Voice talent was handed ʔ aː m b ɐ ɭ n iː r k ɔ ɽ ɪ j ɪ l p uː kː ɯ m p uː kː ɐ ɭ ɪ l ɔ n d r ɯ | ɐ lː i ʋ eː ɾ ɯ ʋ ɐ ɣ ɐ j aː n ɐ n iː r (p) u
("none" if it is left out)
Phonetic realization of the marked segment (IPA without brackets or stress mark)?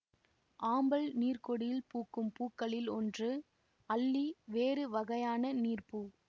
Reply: p